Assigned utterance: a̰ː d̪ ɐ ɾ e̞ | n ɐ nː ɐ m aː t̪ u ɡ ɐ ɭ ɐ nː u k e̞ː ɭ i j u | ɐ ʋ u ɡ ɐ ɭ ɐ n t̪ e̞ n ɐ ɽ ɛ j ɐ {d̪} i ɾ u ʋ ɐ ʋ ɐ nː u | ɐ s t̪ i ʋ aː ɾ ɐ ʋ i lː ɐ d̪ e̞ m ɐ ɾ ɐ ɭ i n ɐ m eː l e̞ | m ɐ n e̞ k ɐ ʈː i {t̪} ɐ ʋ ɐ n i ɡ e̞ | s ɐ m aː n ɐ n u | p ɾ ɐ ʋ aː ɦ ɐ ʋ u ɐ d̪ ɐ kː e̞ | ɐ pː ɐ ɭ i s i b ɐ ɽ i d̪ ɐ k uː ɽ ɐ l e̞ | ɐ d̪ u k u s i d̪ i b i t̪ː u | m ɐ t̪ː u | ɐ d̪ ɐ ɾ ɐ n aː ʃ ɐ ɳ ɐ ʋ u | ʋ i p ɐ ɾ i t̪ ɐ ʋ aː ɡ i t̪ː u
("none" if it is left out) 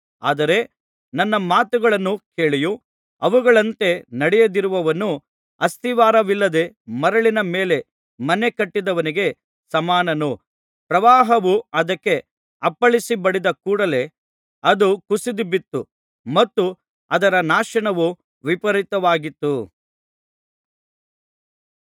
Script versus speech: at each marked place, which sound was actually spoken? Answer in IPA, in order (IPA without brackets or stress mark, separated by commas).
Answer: d̪, d̪